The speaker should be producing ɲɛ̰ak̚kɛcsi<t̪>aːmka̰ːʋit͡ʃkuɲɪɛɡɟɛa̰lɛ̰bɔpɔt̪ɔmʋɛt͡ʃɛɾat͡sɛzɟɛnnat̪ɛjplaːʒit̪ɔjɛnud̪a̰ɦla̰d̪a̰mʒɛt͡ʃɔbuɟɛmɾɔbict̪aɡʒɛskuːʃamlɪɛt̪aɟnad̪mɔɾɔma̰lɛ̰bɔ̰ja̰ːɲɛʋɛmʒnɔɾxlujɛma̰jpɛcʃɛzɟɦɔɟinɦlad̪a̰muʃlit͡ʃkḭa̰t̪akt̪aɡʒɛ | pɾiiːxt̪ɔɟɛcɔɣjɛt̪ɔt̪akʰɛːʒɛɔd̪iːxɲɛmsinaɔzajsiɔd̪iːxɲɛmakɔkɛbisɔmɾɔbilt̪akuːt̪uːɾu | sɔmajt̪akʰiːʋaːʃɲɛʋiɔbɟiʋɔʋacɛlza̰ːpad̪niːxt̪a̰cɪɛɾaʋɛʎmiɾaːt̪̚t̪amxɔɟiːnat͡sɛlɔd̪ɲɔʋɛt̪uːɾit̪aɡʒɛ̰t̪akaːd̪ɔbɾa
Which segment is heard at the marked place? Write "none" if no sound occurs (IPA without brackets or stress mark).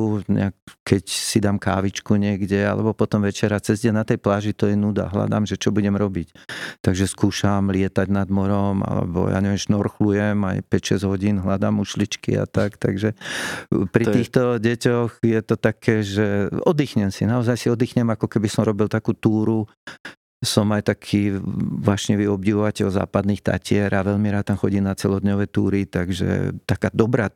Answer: d̪